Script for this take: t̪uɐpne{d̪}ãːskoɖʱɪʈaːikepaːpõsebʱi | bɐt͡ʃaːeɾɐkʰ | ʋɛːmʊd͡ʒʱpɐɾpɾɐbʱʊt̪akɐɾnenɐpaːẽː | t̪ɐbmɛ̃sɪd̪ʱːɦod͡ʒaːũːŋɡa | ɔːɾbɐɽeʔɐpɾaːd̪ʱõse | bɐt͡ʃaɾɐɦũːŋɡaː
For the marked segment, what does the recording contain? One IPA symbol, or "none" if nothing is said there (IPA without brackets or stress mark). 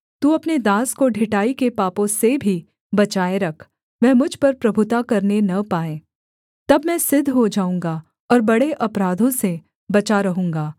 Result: d̪